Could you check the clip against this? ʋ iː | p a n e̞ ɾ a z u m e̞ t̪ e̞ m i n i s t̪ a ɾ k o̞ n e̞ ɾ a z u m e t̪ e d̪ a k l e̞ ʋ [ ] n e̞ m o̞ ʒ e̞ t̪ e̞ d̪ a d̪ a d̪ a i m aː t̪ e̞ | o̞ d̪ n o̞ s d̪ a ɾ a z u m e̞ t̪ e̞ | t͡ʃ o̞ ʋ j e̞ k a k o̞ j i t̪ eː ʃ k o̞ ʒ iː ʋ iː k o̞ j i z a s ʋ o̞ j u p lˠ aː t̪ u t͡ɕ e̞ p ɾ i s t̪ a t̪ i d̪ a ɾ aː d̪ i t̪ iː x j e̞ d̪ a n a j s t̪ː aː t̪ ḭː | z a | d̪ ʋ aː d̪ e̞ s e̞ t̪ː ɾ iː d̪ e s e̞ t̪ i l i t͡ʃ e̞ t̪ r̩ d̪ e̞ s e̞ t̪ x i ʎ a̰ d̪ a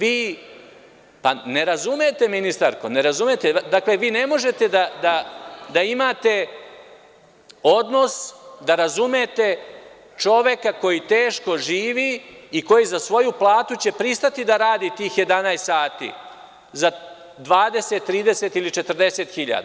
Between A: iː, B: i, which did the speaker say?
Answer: A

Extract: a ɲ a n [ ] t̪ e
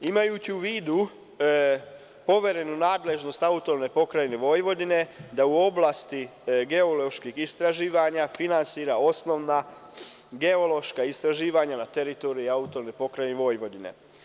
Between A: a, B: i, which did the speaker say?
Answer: A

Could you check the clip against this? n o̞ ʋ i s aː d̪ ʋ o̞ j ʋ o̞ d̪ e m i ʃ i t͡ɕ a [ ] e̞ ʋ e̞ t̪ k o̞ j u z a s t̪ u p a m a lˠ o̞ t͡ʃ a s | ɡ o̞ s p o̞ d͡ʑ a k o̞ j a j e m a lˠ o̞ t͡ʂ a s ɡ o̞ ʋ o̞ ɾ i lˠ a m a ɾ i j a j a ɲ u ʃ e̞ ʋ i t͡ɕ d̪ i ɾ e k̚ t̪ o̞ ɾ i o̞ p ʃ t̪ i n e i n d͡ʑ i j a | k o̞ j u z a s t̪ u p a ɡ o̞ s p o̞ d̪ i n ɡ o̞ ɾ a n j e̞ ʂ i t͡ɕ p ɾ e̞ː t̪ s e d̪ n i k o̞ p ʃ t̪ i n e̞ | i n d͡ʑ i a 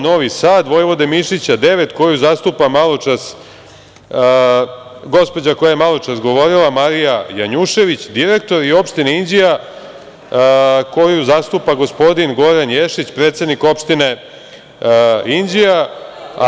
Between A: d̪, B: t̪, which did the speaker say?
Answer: A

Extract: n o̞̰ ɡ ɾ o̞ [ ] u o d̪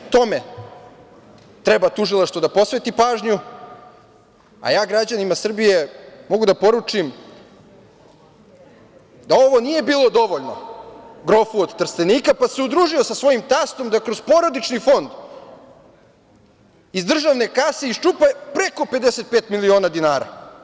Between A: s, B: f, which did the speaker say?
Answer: B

